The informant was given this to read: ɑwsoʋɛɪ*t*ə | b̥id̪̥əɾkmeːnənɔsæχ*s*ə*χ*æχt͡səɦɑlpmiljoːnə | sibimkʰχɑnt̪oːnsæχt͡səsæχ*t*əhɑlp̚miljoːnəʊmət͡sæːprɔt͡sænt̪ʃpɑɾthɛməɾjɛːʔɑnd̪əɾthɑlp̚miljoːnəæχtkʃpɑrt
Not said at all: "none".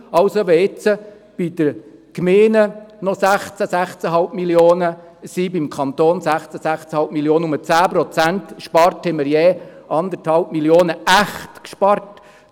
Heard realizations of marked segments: t͡s, t͡s, s, t͡s

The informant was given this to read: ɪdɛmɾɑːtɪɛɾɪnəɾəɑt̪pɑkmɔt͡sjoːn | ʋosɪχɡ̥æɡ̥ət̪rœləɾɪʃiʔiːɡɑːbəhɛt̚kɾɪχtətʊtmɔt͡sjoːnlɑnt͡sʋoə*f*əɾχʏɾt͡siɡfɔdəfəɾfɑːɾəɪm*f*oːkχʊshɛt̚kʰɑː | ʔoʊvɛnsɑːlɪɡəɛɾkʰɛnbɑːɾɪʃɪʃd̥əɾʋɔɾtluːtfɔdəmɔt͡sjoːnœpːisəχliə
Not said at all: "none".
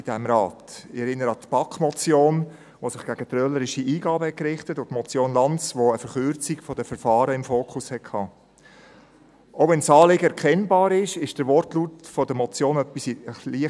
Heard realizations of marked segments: f, f

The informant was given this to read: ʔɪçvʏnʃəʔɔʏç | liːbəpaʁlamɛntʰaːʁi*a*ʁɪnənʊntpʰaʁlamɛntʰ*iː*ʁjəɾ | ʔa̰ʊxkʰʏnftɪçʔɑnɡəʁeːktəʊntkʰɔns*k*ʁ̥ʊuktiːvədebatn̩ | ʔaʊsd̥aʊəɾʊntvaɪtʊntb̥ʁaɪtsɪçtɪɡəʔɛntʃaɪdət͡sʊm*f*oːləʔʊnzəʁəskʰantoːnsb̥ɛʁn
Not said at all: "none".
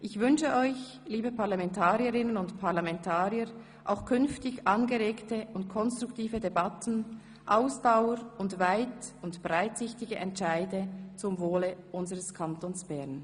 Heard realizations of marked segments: ə, aː, t, v

